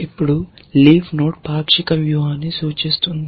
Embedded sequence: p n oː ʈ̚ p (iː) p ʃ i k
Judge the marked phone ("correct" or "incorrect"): incorrect